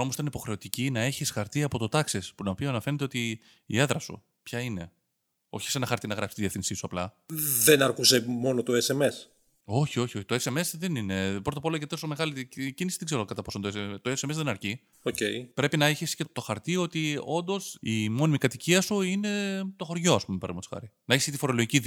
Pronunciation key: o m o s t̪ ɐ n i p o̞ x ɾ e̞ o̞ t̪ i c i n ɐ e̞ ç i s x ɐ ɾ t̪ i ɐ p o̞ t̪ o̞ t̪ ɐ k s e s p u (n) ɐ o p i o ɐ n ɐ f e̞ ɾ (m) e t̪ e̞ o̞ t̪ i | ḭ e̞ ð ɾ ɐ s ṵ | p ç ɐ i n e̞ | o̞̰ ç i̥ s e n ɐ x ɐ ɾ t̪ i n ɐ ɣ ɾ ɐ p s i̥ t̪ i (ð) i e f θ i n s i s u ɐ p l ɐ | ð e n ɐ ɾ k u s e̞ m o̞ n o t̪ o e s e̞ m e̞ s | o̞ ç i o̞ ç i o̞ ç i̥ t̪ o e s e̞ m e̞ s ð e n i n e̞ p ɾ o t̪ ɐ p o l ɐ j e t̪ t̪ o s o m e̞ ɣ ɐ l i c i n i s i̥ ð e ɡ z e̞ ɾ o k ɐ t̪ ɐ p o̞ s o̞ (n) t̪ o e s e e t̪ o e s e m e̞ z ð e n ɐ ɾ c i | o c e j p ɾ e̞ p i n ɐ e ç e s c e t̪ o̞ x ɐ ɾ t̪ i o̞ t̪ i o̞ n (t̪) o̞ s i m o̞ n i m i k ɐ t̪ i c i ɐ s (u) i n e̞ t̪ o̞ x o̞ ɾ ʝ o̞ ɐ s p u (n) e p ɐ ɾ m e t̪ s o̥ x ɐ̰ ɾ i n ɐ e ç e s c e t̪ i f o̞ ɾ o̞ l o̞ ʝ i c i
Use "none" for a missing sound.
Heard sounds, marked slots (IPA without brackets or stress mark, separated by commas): n, n, ð, n, d̪, u, m